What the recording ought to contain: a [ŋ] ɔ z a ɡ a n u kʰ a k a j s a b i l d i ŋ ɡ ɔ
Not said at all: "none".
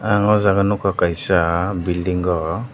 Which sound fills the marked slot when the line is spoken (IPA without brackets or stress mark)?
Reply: ŋ